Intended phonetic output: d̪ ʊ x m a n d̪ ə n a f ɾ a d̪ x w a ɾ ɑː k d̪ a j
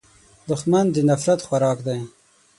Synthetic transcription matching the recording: d̪ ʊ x m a n d̪ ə n a f ɾ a t̪ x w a ɾ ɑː k d̪ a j